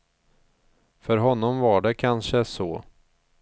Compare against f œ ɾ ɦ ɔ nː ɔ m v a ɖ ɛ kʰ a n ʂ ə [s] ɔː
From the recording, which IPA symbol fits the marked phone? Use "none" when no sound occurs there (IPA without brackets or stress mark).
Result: s